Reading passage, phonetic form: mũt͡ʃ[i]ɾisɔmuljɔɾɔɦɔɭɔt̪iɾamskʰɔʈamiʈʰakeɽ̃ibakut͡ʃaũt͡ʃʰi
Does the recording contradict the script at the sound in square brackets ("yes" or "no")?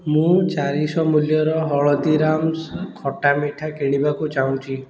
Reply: yes